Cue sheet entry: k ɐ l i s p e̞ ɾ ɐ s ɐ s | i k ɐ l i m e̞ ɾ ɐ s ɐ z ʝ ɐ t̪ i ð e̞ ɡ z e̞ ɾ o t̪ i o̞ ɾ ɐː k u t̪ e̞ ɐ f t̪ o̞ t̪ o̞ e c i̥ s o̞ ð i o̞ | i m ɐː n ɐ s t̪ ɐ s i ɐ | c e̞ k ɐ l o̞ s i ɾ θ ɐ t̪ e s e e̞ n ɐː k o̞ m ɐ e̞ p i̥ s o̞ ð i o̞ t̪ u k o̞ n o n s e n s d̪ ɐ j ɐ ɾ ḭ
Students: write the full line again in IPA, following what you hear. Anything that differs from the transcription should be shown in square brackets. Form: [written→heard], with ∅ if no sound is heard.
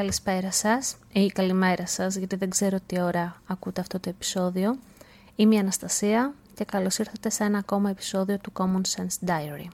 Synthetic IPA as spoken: k ɐ l i s p e̞ ɾ ɐ s ɐ s | i k ɐ l i m e̞ ɾ ɐ s ɐ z ʝ ɐ t̪ i ð e̞ ɡ z e̞ ɾ o t̪ i o̞ ɾ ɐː k u t̪ e̞ ɐ f t̪ o̞ t̪ o̞ e [c→p] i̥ s o̞ ð i o̞ | i m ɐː n ɐ s t̪ ɐ s i ɐ | c e̞ k ɐ l o̞ s i ɾ θ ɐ t̪ e s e e̞ n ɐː k o̞ m ɐ e̞ p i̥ s o̞ ð i o̞ t̪ u k o̞ [n→m] o n s e n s d̪ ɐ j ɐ ɾ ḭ